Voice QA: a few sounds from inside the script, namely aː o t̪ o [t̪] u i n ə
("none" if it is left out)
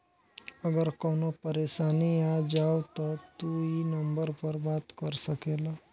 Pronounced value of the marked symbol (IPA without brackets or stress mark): t̪